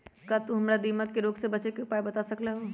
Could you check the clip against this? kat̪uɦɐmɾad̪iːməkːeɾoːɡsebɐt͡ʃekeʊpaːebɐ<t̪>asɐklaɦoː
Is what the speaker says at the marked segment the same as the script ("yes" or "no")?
yes